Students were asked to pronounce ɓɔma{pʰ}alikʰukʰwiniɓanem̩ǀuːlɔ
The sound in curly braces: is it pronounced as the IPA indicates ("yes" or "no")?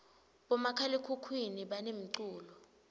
no